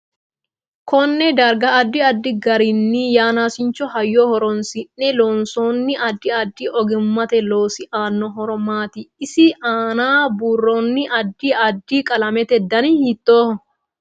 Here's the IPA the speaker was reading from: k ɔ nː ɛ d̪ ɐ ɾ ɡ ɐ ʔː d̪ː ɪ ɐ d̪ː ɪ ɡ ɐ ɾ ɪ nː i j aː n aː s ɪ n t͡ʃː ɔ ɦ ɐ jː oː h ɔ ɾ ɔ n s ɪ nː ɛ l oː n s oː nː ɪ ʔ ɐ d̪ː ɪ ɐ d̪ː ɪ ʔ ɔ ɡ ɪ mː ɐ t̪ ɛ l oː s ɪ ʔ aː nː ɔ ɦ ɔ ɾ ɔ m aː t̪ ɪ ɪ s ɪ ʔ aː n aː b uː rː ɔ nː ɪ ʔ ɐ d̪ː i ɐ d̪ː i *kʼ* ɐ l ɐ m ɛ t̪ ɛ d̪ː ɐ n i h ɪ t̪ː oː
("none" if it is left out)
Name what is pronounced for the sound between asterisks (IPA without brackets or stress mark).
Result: kʼ